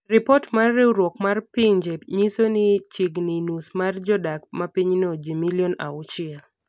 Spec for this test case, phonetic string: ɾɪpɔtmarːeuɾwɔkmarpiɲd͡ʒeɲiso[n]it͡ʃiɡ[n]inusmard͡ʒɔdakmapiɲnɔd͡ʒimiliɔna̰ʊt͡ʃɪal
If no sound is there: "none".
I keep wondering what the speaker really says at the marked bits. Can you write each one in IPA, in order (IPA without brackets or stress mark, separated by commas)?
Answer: n, n